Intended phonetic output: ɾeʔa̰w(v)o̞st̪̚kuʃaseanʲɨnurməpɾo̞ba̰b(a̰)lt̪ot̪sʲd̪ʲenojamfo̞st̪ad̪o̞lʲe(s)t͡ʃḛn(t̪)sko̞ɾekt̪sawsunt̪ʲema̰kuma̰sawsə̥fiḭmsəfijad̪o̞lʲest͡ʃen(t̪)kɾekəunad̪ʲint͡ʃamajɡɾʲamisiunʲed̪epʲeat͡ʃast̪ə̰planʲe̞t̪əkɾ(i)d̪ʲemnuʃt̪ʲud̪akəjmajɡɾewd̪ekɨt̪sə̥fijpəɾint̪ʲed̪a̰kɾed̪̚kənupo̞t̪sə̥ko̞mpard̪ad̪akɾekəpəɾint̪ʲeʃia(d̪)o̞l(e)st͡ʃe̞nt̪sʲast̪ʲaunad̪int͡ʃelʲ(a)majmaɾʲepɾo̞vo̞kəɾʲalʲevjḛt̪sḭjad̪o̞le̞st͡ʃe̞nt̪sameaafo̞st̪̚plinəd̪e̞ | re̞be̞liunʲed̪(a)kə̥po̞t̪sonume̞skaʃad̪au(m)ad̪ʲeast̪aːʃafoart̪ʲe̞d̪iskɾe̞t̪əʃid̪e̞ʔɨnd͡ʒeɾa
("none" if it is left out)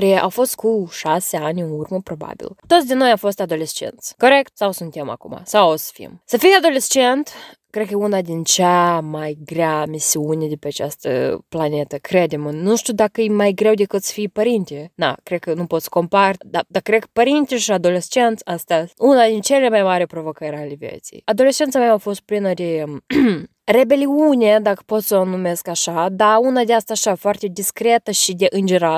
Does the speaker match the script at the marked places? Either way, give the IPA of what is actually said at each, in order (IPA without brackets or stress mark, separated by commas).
f, ḭ, s, t̪, t̪, e, d̪, e, e, a, n